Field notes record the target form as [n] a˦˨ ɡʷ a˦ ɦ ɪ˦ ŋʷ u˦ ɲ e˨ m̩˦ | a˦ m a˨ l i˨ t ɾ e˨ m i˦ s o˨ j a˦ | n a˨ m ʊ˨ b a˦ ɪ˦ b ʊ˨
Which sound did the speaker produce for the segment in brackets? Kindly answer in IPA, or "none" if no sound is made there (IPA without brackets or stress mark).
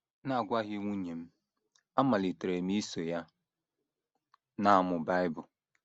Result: n